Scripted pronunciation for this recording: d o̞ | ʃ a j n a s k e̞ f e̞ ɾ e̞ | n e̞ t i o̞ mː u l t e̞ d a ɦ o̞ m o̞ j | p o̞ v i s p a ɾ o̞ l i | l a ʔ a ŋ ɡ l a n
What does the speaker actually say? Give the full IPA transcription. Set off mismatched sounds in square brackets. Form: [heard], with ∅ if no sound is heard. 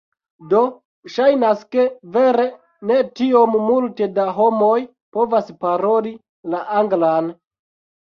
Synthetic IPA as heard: d o̞ | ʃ a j n a s k e̞ [v] e̞ ɾ e̞ | n e̞ t i o̞ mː u l t e̞ d a ɦ o̞ m o̞ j | p o̞ v [a] s p a ɾ o̞ l i | l a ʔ a ŋ ɡ l a n